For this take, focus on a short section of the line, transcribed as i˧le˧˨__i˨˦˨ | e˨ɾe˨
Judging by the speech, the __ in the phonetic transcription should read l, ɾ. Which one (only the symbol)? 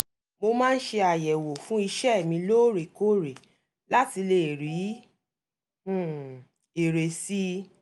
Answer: ɾ